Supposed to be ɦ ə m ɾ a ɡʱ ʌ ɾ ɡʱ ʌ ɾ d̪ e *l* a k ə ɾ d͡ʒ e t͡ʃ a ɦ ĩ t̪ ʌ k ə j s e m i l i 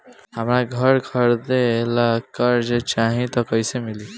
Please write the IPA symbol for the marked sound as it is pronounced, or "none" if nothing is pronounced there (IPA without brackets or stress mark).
l